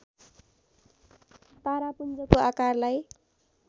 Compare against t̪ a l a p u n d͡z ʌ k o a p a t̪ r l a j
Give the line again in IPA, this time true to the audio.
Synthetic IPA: t̪ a ɾ a p u n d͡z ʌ k o a k a r l a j